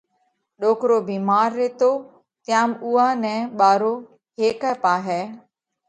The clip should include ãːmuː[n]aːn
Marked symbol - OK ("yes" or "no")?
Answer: no